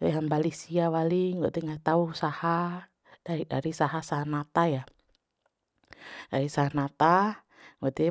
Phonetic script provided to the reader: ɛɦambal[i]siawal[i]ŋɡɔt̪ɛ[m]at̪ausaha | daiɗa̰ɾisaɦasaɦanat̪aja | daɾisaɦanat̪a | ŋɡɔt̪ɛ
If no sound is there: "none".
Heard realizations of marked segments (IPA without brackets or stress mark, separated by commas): i, i, ŋ